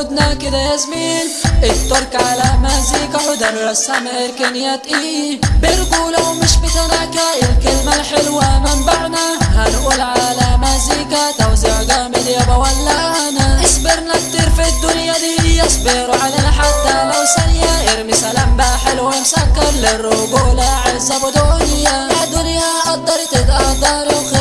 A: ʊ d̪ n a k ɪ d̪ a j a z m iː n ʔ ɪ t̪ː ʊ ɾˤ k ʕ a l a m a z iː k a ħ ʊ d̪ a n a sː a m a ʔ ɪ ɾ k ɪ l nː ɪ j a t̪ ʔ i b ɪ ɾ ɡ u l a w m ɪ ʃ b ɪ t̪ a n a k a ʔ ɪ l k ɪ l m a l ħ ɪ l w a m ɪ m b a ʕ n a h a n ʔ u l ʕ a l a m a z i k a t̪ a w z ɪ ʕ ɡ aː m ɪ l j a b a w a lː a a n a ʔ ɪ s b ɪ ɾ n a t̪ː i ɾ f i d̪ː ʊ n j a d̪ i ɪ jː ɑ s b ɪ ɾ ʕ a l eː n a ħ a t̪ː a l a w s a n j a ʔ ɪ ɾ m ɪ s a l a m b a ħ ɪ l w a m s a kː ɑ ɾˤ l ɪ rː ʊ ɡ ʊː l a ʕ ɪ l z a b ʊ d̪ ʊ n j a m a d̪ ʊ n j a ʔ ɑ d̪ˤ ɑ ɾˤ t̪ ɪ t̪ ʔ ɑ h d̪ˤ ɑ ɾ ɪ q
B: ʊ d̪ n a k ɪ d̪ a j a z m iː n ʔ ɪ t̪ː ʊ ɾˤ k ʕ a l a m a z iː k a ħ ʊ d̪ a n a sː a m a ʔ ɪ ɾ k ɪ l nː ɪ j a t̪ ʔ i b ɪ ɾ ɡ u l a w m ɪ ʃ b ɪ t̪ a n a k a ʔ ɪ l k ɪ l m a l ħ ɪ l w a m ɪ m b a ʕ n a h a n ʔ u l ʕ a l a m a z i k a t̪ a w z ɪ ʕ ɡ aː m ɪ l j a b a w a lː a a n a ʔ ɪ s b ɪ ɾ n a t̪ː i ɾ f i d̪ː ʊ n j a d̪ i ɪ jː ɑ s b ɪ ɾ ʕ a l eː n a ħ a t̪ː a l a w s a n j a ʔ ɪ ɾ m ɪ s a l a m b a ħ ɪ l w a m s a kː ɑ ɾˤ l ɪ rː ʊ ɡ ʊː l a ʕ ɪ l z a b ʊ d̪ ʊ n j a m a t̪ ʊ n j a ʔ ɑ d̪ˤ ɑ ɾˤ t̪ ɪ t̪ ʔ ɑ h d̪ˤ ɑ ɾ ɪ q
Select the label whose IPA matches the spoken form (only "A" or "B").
A